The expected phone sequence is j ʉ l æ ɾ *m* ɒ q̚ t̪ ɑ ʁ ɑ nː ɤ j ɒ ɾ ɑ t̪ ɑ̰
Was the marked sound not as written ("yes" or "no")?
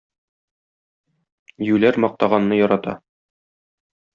no